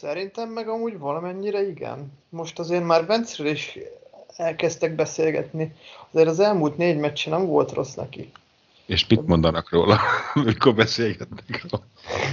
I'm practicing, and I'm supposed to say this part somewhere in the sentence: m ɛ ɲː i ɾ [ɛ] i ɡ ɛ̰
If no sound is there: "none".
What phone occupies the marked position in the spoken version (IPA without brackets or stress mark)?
ɛ